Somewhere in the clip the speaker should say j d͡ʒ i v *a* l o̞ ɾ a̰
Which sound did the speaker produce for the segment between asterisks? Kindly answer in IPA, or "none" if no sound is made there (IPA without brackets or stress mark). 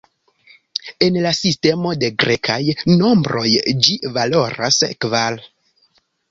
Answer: a